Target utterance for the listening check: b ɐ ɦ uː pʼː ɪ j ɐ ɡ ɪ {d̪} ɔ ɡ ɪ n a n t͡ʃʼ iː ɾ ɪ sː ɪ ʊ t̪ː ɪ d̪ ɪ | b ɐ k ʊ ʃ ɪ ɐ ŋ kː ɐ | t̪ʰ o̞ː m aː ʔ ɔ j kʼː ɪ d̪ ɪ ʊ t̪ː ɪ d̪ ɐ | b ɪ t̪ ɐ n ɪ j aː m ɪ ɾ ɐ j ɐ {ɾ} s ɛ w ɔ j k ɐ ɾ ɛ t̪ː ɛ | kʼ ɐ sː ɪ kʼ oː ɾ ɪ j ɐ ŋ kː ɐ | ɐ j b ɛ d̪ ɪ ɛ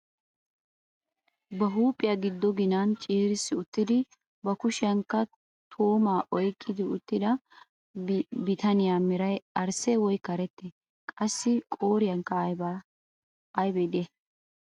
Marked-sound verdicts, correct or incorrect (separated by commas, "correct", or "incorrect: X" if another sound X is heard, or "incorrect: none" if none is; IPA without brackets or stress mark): incorrect: d̪ː, correct